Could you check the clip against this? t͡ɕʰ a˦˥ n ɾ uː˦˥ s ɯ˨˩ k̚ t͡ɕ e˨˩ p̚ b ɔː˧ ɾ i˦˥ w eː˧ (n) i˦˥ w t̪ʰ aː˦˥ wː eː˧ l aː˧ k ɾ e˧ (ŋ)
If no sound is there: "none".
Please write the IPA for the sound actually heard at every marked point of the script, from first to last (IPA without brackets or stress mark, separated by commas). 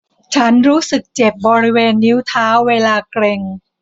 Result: nː, ŋ